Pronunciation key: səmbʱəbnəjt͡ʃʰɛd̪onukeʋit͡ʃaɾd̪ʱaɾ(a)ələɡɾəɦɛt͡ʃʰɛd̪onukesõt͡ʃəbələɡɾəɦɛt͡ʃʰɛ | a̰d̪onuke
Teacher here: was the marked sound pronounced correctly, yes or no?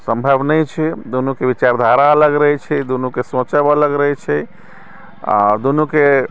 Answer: yes